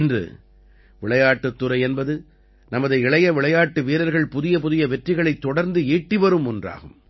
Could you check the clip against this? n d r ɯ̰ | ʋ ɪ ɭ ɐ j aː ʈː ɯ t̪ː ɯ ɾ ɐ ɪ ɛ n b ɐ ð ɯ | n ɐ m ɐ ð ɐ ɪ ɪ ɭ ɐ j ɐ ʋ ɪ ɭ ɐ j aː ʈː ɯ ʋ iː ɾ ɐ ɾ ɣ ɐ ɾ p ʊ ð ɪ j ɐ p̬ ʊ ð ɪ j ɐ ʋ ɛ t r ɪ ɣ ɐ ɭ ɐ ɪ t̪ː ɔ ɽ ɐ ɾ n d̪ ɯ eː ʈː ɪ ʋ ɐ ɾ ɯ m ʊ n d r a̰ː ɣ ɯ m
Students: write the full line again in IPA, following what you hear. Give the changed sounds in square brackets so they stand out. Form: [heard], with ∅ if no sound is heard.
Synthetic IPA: n d r ɯ̰ | ʋ ɪ ɭ ɐ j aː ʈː ɯ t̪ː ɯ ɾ ɐ ɪ ɛ n b ɐ ð ɯ | n ɐ m ɐ ð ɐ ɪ ɪ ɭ ɐ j ɐ ʋ ɪ ɭ ɐ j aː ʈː ɯ ʋ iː ɾ ɐ ɾ ɣ ɐ [ɭ] p ʊ ð ɪ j ɐ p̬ ʊ ð ɪ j ɐ ʋ ɛ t r ɪ ɣ ɐ ɭ ɐ ɪ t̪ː ɔ ɽ ɐ ɾ n d̪ ɯ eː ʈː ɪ ʋ ɐ ɾ ɯ m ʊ n d r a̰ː ɣ ɯ m